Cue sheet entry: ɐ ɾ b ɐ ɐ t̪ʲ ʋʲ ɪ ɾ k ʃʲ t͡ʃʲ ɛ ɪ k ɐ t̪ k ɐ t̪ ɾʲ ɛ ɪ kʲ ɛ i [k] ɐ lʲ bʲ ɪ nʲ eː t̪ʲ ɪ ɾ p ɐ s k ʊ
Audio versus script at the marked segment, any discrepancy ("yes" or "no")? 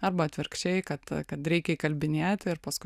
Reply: no